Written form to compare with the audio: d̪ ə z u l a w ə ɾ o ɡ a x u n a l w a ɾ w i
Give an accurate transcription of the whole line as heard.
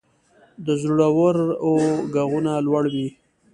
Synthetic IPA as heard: d̪ ə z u ɽ a w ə ɾ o ɡ a ɣ u n a l w a ɽ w i

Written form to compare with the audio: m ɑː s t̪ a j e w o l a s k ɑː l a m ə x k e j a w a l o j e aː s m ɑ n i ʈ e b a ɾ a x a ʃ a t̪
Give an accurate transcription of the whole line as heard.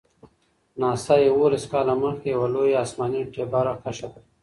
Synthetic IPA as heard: n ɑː s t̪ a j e w o l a s k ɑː l a m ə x k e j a w a l o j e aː s m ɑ n i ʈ e b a ɾ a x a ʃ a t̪

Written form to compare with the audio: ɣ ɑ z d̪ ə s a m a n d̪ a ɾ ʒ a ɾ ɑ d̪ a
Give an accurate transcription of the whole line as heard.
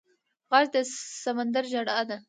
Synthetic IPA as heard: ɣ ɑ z d̪ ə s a m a n d̪ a ɾ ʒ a ɽ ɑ d̪ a

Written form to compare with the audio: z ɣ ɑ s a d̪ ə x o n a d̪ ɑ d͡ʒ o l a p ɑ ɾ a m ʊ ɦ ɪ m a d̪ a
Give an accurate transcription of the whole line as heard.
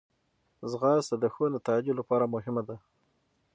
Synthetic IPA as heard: z ɣ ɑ s a d̪ ə x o n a t̪ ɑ d͡ʒ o l a p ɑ ɾ a m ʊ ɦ ɪ m a d̪ a

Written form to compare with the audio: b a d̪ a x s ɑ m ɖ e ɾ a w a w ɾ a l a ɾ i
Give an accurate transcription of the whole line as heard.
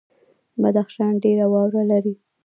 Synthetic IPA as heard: b a d̪ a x ʃ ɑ n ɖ e ɾ a w ɑ w ɾ a l a ɾ i

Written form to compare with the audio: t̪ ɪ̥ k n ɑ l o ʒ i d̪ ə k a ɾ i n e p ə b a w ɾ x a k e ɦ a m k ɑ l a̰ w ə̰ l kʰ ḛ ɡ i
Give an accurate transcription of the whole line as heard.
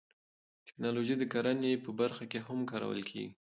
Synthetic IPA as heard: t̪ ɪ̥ k n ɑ l o ʒ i d̪ ə k a ɾ a n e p ə b a ɾ x a k e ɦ a m k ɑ ɾ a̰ w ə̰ l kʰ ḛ ɡ i

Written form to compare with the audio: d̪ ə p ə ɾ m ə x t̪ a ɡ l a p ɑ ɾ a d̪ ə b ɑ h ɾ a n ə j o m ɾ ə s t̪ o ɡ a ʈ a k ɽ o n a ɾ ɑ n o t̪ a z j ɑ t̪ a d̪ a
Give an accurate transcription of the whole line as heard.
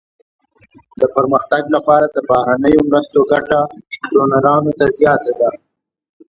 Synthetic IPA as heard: d̪ ə p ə ɾ m ə x t̪ a ɡ l a p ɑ ɾ a d̪ ə b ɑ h ɾ a n ə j o m ɾ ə s t̪ o ɡ a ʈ a k ɾ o n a ɾ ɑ n o t̪ a z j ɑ t̪ a d̪ a

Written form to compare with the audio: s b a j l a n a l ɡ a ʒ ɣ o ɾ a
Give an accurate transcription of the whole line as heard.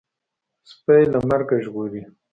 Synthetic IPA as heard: s p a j l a m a ɾ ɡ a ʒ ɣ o ɾ i

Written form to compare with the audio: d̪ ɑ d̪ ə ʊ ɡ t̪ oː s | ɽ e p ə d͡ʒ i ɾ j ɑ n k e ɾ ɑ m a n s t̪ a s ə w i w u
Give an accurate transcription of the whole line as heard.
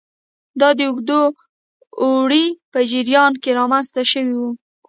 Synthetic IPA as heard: d̪ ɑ d̪ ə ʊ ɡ d̪ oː | ɽ i p ə d͡ʒ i ɾ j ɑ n k e ɾ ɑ m a n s t̪ a ʃ ə w i w u

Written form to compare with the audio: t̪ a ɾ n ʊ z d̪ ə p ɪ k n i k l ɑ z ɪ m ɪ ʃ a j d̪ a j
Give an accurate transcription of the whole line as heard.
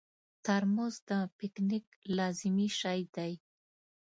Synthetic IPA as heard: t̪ a ɾ m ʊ z d̪ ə p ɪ k n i k l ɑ z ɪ m i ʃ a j d̪ a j

